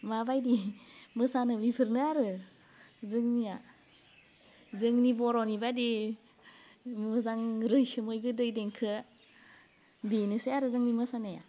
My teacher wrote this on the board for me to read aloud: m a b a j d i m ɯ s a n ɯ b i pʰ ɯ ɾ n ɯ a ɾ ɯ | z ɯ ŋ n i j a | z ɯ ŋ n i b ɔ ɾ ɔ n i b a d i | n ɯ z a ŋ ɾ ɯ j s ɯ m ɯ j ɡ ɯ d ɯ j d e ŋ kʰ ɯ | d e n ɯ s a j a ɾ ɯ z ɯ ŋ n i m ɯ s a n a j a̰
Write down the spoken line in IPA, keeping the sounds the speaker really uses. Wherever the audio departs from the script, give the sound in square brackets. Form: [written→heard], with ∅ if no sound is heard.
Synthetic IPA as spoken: m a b a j d i m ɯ s a n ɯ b i pʰ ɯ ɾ n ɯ a ɾ ɯ | z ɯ ŋ n i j a | z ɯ ŋ n i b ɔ ɾ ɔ n i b a d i | [n→m] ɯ z a ŋ ɾ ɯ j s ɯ m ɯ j ɡ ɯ d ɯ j d e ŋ kʰ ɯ | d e n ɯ s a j a ɾ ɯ z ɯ ŋ n i m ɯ s a n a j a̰